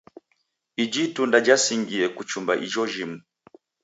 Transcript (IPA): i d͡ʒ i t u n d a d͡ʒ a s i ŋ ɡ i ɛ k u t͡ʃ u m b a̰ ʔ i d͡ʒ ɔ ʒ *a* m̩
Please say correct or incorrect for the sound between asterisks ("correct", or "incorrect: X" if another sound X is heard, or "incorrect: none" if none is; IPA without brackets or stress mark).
incorrect: i